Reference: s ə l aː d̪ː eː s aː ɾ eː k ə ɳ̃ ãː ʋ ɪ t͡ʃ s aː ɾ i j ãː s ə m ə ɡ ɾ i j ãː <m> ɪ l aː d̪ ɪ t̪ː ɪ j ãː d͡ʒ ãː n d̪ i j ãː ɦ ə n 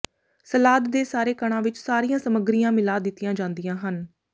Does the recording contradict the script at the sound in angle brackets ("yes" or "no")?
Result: no